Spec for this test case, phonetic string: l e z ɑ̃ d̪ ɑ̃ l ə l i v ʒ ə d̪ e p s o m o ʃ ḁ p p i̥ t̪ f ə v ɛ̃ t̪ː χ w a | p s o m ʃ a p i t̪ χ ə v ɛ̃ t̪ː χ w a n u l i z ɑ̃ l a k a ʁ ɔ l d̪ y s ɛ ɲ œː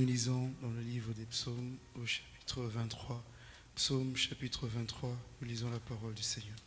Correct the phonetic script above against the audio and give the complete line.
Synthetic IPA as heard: l i z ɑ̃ d̪ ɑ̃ l ə l i v ʁ ə d̪ e p s o m o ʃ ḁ p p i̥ t̪ χ ə v ɛ̃ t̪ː χ w a | p s o m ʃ a p i t̪ χ ə v ɛ̃ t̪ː χ w a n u l i z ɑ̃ l a p a ʁ ɔ l d̪ y s ɛ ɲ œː